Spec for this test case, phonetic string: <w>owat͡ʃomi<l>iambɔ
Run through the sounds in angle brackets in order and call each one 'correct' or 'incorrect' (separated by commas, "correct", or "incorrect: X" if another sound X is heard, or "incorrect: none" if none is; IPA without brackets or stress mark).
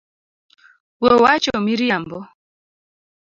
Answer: correct, incorrect: ɾ